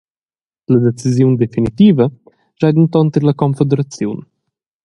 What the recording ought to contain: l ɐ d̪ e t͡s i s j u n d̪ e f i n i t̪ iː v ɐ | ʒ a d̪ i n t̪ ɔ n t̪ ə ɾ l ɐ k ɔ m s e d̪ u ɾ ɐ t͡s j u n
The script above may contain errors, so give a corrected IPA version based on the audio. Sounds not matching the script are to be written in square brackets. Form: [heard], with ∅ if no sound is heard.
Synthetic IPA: l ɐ d̪ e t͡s i [z] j u n d̪ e f i n i t̪ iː v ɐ | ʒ a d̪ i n t̪ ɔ n t̪ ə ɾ l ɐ k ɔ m [f] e d̪ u ɾ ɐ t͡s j u n